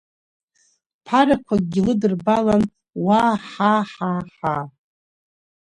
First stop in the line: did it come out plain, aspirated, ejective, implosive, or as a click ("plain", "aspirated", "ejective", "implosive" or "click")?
aspirated